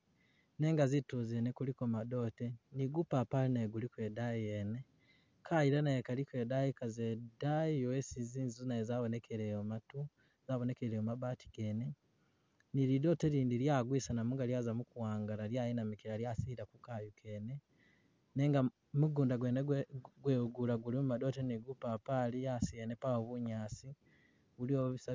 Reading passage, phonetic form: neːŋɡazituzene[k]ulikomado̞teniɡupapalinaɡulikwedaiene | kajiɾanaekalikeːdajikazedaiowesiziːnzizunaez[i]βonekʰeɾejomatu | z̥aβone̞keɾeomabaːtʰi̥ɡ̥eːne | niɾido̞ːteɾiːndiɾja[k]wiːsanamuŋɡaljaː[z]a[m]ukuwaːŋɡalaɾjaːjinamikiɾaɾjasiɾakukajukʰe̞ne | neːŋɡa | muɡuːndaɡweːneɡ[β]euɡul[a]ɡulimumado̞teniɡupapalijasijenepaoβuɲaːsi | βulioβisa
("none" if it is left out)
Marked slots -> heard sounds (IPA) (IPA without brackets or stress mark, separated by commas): k, a, ɡ, z, m, w, a